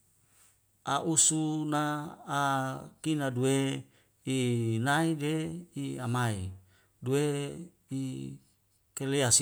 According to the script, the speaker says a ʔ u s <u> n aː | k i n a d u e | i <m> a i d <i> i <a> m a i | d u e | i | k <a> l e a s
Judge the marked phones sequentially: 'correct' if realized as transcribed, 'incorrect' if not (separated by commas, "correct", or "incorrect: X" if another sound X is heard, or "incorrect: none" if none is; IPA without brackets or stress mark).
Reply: correct, incorrect: n, incorrect: e, correct, incorrect: e